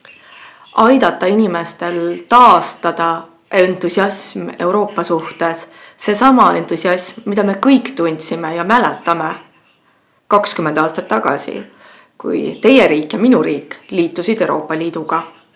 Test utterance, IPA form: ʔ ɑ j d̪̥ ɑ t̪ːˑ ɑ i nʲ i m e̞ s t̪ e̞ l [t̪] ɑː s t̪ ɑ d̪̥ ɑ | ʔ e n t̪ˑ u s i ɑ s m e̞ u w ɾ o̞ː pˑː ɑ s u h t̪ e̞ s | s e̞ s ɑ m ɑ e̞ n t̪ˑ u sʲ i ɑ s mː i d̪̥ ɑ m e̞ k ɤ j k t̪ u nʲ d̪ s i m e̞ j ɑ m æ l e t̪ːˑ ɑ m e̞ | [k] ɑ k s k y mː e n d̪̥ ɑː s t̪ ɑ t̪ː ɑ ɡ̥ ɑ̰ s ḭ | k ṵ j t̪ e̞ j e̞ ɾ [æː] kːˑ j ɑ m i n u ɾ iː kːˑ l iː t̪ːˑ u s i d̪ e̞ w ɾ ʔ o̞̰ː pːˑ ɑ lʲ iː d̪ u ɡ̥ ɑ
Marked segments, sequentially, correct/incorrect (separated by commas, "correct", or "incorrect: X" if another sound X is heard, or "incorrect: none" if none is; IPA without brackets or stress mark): correct, correct, incorrect: iː